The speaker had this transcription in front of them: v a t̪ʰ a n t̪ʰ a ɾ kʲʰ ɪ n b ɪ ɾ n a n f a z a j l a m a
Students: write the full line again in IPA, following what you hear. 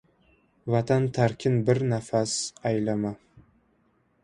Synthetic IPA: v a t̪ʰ a n t̪ʰ a ɾ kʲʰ ɪ n b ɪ ɾ n a f a s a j l a m a